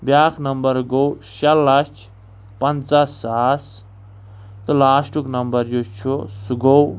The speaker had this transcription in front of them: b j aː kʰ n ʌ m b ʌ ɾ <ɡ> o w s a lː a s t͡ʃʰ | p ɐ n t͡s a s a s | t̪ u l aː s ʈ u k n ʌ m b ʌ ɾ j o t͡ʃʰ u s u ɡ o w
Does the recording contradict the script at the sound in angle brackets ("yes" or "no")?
no